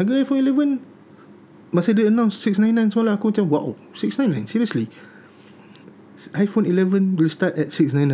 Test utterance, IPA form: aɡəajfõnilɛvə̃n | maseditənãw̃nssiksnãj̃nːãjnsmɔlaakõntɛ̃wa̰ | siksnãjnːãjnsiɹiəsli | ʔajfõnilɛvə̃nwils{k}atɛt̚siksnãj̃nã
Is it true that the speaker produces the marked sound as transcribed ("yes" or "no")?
no